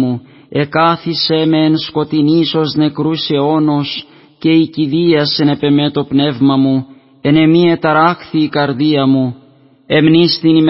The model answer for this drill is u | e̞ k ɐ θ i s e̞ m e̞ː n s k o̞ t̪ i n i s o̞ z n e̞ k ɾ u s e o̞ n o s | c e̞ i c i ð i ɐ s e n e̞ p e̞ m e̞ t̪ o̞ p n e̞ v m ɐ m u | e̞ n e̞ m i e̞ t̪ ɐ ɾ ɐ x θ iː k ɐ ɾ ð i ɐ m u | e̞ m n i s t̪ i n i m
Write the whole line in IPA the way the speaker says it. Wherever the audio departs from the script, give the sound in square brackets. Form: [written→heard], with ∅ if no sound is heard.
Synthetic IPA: u | e̞ k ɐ θ i s e̞ m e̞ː n s k o̞ t̪ i n i s o̞ z n e̞ k ɾ u s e o̞ n o s | c e̞ i c i ð i ɐ s e n e̞ p e̞ m e̞ t̪ o̞ p n e̞ v m ɐ m u | e̞ n e̞ m i e̞ t̪ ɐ ɾ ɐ x θ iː k ɐ ɾ ð i ɐ m u | e̞ m n i s t̪ i n i m